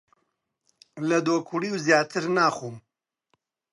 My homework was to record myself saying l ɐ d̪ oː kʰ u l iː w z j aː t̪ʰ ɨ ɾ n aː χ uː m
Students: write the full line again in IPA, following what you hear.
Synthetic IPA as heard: l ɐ d̪ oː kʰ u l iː w z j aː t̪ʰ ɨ ɾ n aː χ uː m